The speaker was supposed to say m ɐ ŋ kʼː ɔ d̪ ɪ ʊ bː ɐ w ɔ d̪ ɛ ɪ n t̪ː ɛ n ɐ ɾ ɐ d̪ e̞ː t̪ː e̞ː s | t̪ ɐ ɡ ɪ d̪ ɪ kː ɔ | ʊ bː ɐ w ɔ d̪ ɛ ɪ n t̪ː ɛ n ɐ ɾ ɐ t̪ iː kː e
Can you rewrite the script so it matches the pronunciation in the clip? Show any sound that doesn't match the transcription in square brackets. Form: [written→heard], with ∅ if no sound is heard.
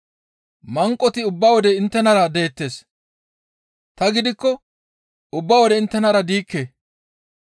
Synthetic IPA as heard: m ɐ ŋ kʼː ɔ [d̪→t̪] ɪ ʊ bː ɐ w ɔ d̪ ɛ ɪ n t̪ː ɛ n ɐ ɾ ɐ d̪ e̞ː t̪ː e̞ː s | t̪ ɐ ɡ ɪ d̪ ɪ kː ɔ | ʊ bː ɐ w ɔ d̪ ɛ ɪ n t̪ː ɛ n ɐ ɾ ɐ [t̪→d̪] iː kː e